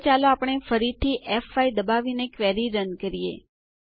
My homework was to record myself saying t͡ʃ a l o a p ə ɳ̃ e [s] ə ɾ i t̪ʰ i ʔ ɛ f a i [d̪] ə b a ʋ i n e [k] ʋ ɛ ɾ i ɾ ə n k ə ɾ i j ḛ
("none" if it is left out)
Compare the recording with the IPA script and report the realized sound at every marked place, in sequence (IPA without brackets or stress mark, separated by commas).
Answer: f, d̪, k